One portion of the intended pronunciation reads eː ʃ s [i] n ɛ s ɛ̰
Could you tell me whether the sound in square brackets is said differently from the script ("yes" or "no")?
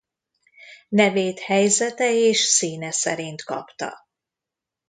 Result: yes